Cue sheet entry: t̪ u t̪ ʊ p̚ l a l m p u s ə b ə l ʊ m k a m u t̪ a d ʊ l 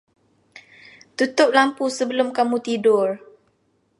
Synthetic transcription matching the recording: t̪ u t̪ ʊ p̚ l a m p u s ə b ə l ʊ m k a m u t̪ i d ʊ r